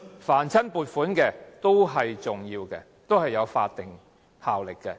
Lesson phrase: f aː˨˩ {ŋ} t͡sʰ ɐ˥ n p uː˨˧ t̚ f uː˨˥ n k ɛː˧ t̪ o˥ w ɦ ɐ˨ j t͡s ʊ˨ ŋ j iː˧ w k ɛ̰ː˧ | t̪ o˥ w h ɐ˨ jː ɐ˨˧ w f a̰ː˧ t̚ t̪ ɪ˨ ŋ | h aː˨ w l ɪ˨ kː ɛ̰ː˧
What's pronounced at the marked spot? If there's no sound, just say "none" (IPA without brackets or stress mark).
n